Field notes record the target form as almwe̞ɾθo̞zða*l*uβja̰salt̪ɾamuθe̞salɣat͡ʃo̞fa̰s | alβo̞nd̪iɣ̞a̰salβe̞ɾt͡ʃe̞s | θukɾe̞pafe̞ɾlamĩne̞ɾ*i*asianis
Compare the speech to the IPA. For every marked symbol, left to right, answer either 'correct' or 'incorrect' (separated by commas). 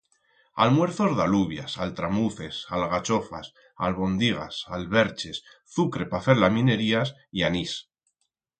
correct, correct